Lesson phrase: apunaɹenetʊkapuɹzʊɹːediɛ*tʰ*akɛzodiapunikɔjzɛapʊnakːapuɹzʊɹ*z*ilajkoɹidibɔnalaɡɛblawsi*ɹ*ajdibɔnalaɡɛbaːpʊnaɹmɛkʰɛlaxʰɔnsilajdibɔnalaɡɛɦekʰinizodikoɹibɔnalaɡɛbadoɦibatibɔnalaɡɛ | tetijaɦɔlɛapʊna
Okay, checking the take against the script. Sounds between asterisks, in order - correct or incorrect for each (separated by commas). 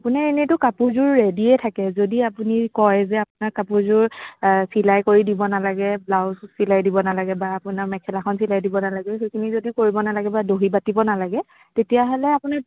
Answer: correct, incorrect, incorrect